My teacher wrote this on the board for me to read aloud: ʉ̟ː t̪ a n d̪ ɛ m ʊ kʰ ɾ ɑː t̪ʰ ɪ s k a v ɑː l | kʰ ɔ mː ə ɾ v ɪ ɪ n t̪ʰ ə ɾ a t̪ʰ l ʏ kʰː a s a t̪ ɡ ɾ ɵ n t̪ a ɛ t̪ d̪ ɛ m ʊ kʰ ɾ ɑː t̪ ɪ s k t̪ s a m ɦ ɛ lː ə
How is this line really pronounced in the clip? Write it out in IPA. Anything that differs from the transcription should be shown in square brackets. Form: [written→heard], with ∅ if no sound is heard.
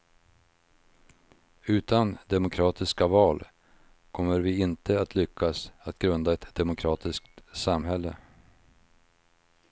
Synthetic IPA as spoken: ʉ̟ː t̪ a n d̪ ɛ m ʊ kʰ ɾ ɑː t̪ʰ ɪ s k a v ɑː l | kʰ ɔ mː ə ɾ v ɪ ɪ n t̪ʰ ə [ɾ→∅] a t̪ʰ l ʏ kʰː a s a t̪ ɡ ɾ ɵ n [t̪→d̪] a ɛ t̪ d̪ ɛ m ʊ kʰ ɾ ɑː t̪ ɪ s k t̪ s a m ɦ ɛ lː ə

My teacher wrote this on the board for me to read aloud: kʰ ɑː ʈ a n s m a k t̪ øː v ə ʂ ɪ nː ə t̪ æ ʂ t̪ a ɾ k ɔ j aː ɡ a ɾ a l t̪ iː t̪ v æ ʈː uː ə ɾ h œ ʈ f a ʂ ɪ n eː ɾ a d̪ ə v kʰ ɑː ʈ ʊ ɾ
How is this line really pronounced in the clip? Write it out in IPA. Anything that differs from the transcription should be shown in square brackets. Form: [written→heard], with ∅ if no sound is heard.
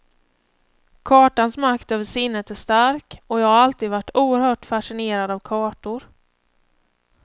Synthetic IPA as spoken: kʰ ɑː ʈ a n s m a k t̪ øː v ə ʂ ɪ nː ə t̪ æ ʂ t̪ a ɾ k ɔ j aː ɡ a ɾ a l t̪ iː [t̪→d̪] v [æ→a] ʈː uː ə ɾ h [œ→œː] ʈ f a ʂ ɪ n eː ɾ a d̪ [ə→a] v kʰ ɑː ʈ ʊ ɾ

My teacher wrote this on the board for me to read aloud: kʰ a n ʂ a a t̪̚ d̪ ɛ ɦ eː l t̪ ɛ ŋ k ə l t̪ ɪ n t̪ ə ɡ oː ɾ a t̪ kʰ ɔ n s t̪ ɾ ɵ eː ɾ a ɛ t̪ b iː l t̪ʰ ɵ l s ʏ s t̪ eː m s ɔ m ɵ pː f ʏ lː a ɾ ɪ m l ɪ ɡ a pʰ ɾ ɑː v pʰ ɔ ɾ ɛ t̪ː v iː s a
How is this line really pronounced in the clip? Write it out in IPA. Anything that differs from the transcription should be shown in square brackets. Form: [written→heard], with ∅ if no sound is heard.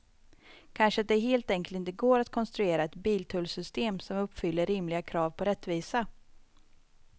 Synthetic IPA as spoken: kʰ a n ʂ [a→ə] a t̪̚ d̪ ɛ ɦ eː l t̪ ɛ ŋ k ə l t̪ ɪ n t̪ ə ɡ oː ɾ a t̪ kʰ ɔ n s t̪ ɾ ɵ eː ɾ a ɛ t̪ b iː l t̪ʰ ɵ l s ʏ s t̪ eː m s ɔ m ɵ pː f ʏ lː [a→ə] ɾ ɪ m l ɪ ɡ a [pʰ→kʰ] ɾ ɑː v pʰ ɔ ɾ ɛ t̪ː v iː s a

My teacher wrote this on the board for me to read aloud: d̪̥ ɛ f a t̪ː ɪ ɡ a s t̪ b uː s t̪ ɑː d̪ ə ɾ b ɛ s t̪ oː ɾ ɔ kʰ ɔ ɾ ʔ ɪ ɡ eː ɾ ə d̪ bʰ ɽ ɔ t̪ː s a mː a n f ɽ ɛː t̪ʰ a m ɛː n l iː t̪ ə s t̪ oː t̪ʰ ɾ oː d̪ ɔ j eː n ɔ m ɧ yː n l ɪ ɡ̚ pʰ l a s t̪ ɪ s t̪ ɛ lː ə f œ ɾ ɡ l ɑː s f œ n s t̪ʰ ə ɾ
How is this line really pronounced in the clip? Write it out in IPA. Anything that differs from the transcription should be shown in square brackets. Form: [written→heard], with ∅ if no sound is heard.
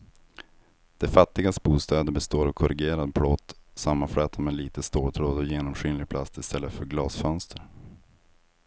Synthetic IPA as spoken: d̪̥ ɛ f a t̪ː ɪ ɡ a s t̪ b uː s t̪ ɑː d̪ ə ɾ b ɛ s t̪ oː ɾ ɔ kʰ ɔ ɾ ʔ ɪ ɡ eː ɾ [ə→a] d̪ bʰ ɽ ɔ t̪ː s a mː a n f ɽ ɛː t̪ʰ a m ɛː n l iː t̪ ə s t̪ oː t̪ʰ ɾ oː d̪ ɔ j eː n ɔ m ɧ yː n l ɪ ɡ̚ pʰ l a s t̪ ɪ s t̪ ɛ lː ə f œ ɾ ɡ l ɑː s f œ n s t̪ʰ ə ɾ

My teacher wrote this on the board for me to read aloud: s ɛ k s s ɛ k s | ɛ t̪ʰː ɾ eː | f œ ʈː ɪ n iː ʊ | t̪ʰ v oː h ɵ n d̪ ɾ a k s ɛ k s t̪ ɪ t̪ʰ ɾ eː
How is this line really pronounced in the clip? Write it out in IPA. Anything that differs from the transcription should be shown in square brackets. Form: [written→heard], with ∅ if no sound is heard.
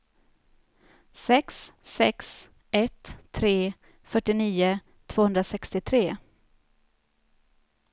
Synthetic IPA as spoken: s ɛ k s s ɛ k s | ɛ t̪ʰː ɾ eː | f œ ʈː ɪ n iː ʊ | t̪ʰ v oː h ɵ n d̪ ɾ a [k→∅] s ɛ k s t̪ ɪ t̪ʰ ɾ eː

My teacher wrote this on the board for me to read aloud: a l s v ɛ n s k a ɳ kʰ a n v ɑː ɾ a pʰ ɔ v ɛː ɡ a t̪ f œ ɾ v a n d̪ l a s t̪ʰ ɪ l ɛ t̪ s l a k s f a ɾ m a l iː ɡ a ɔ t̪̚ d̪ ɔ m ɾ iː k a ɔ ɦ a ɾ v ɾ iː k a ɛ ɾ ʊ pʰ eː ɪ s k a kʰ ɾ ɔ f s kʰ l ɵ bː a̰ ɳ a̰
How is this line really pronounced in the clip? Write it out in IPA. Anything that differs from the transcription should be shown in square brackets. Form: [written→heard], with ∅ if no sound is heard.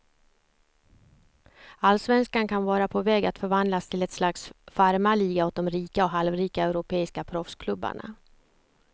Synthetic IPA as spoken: a l s v ɛ n s k a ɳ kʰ a n v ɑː ɾ a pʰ ɔ v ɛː ɡ a t̪ f œ ɾ v a n d̪ l a s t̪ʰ ɪ l ɛ t̪ s l a k s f a ɾ m a l iː ɡ a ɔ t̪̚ d̪ ɔ m ɾ iː k a ɔ ɦ a [ɾ→l] v ɾ iː k a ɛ ɾ ʊ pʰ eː ɪ s k a [kʰ→pʰ] ɾ ɔ f s kʰ l ɵ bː a̰ ɳ a̰

